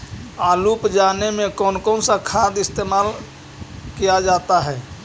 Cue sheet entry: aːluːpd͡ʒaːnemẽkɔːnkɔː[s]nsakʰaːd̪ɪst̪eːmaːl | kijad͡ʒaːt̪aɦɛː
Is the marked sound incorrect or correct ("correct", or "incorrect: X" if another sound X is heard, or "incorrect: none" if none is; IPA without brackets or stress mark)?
incorrect: none